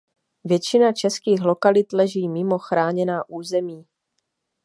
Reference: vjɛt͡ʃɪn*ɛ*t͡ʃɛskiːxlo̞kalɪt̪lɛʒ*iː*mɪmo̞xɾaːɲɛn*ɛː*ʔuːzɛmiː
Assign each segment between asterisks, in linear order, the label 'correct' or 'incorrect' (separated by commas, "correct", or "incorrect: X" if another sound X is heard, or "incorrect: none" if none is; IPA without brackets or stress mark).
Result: incorrect: a, correct, incorrect: aː